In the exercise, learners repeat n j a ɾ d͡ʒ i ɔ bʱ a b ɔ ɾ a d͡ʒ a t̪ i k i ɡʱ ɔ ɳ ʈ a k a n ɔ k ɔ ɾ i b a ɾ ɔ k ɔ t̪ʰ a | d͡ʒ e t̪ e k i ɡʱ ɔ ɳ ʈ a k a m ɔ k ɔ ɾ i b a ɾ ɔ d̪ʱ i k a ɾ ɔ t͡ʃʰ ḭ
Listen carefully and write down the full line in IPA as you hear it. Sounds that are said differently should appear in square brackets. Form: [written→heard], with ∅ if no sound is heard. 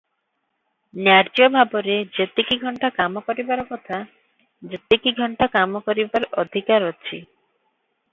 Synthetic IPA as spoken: n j a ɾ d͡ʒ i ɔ bʱ a b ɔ ɾ [a→e] d͡ʒ [a→e] t̪ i k i ɡʱ ɔ ɳ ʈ a k a [n→m] ɔ k ɔ ɾ i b a ɾ ɔ k ɔ t̪ʰ a | d͡ʒ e t̪ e k i ɡʱ ɔ ɳ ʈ a k a m ɔ k ɔ ɾ i b a ɾ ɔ d̪ʱ i k a ɾ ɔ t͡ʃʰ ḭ

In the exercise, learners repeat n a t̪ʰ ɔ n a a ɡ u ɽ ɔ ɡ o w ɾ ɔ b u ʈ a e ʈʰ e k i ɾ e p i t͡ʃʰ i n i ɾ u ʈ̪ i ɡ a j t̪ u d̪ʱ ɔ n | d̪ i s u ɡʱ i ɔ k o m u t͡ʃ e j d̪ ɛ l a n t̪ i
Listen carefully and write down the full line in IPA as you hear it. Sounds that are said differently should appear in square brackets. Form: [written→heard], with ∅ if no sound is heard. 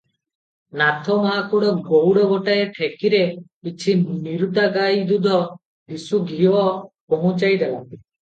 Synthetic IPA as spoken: n a t̪ʰ ɔ [n→m] a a [ɡ→k] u ɽ ɔ ɡ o w [ɾ→ɽ] ɔ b [u→ɔ] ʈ a e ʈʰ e k i ɾ e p i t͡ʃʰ i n i ɾ u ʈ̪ [i→a] ɡ a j [t̪→d̪] u d̪ʱ ɔ [n→∅] | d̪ i s u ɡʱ i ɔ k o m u t͡ʃ [e→a] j d̪ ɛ l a n t̪ i

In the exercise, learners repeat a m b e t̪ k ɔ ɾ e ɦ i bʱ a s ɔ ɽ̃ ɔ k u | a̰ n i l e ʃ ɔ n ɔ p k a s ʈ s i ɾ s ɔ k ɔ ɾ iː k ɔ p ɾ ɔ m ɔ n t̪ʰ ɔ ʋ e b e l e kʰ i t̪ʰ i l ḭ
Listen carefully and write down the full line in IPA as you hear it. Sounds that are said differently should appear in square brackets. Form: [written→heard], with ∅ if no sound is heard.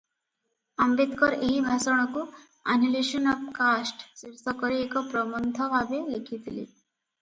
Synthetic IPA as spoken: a m b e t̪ k ɔ ɾ e ɦ i bʱ a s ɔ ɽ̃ ɔ k u | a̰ n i l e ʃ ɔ n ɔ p k a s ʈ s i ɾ s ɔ k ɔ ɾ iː k ɔ p ɾ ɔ m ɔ n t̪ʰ ɔ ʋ [e→a] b e l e kʰ i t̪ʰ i l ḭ

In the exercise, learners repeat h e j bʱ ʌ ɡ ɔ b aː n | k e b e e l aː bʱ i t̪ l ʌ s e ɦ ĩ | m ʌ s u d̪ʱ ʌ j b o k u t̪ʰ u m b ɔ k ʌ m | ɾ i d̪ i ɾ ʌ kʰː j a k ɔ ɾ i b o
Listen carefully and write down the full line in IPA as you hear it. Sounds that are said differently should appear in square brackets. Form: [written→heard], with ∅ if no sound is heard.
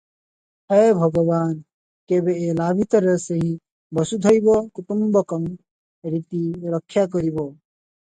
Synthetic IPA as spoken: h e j bʱ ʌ ɡ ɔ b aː n | k e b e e l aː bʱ i t̪ [l→ɾ] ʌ s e ɦ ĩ | [m→b] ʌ s u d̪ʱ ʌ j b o k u [t̪ʰ→t̪] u m b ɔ k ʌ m | ɾ i [d̪→t̪] i ɾ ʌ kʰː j a k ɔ ɾ i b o

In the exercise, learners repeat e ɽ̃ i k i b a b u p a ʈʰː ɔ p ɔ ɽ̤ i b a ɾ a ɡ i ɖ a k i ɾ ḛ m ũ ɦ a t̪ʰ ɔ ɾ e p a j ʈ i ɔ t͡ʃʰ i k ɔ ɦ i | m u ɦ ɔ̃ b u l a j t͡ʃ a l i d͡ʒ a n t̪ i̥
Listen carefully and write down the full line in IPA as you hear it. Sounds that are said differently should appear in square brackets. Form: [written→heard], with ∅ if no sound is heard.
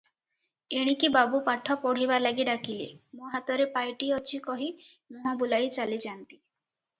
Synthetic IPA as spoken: e ɽ̃ i k i b a b u p a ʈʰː ɔ p ɔ ɽ̤ i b a [ɾ→l] a ɡ i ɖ a k i [ɾ→l] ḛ m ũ ɦ a [t̪ʰ→t̪] ɔ ɾ e p a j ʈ i ɔ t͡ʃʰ i k ɔ ɦ i | m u ɦ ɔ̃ b u l a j t͡ʃ a l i d͡ʒ a n t̪ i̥

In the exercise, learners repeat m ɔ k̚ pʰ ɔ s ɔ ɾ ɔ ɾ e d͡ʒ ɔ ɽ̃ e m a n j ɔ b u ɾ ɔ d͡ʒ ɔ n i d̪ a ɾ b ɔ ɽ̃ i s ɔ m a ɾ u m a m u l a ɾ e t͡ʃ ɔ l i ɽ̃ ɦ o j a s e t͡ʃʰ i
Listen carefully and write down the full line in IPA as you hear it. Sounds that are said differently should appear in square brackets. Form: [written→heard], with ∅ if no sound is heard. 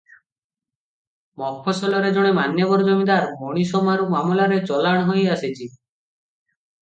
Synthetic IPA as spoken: m ɔ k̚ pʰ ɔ s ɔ [ɾ→l] ɔ ɾ e d͡ʒ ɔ ɽ̃ e m a n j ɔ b [u→ɔ] ɾ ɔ d͡ʒ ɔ [n→m] i d̪ a ɾ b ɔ ɽ̃ i s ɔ m a ɾ u m a m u l a ɾ e t͡ʃ ɔ l [i→a] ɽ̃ ɦ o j a s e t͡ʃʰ i

